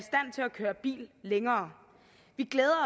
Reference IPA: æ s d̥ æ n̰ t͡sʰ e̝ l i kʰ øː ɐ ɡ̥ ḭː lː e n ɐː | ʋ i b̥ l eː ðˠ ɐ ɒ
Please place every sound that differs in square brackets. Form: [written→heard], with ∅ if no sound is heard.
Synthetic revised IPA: [æ→i] s d̥ æ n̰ t͡sʰ e̝ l [i→æ] kʰ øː ɐ [ɡ̥→b̥] ḭː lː e [n→ŋ] ɐː | ʋ i [b̥→ɡ̥] l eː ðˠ ɐ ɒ